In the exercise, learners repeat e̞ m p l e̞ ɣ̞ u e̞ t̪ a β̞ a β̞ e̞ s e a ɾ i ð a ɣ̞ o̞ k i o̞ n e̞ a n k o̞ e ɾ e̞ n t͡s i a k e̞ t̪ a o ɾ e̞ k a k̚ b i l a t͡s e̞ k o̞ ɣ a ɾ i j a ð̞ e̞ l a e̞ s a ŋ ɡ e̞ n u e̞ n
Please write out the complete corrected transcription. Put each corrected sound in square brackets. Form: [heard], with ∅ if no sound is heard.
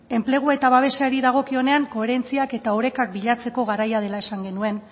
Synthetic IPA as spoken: e̞ m p l e̞ ɣ̞ u e̞ t̪ a β̞ a β̞ e̞ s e a ɾ i ð a ɣ̞ o̞ k i o̞ n e̞ a [ŋ] k o̞ e ɾ e̞ n t͡s i a k e̞ t̪ a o ɾ e̞ k a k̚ b i [ʎ] a t͡s e̞ k o̞ ɣ a ɾ [a] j a ð̞ e̞ l a e̞ s a ŋ ɡ e̞ n u e̞ n